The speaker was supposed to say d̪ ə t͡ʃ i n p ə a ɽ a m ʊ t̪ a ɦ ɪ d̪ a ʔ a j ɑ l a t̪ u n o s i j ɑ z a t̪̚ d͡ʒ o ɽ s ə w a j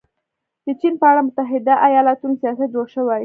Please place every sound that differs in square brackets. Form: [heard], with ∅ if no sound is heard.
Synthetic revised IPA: d̪ ə t͡ʃ i n p ə a ɽ a m ʊ t̪ a ɦ ɪ d̪ a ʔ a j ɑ l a t̪ u n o s i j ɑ [s] a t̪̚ d͡ʒ o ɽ [ʃ] ə w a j